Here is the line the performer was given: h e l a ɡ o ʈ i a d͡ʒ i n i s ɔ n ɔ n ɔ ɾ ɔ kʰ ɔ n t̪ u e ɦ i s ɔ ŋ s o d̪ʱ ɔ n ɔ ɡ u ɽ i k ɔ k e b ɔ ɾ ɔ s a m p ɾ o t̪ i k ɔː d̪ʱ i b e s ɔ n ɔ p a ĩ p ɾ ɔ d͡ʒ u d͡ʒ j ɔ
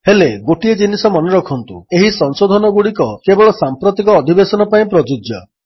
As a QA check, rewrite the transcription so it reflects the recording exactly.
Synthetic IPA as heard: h e l e ɡ o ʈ i e d͡ʒ i n i s ɔ m ɔ n ɔ ɾ ɔ kʰ ɔ n t̪ u e ɦ i s ɔ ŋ s o d̪ʱ ɔ n ɔ ɡ u ɽ i k ɔ k e b ɔ ɭ ɔ s a m p ɾ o t̪ i k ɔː d̪ʱ i b e s ɔ n ɔ p a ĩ p ɾ ɔ d͡ʒ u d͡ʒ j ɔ